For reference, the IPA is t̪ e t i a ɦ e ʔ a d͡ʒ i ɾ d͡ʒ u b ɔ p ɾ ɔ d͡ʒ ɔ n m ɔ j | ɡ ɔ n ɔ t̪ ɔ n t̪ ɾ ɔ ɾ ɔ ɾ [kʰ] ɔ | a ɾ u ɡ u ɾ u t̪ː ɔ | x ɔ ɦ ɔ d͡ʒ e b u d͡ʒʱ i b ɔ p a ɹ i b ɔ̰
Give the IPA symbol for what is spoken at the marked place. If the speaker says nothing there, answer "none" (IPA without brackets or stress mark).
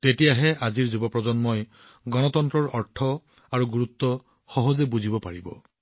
ʈʰ